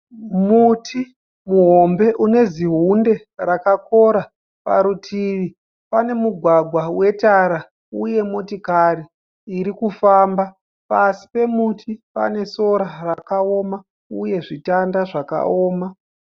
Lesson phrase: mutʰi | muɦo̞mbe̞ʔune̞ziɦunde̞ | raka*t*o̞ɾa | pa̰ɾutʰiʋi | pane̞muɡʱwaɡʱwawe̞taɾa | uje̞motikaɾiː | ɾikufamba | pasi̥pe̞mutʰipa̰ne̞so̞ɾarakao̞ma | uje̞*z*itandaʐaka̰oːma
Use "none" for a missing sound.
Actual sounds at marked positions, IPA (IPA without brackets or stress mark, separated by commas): k, ʐ